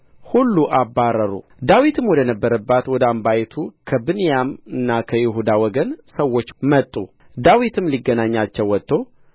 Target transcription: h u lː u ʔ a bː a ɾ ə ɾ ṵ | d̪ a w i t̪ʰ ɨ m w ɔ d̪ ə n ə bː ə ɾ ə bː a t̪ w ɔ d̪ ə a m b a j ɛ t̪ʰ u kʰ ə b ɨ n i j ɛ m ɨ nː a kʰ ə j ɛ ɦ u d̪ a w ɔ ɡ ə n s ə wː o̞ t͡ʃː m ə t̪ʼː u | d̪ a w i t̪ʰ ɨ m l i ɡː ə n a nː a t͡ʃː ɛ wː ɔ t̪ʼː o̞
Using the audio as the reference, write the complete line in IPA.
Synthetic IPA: h u lː u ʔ a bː a ɾ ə ɾ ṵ | d̪ a w i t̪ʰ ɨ m w ɔ d̪ ə n ə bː ə ɾ ə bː a t̪ w ɔ d̪ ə a m b a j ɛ t̪ʰ u kʰ ə b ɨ n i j a m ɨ nː a kʰ ə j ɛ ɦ u d̪ a w ɔ ɡ ə n s ə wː o̞ t͡ʃː m ə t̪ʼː u | d̪ a w i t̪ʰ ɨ m l i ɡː ə n a ɲː a t͡ʃː ɛ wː ɔ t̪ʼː o̞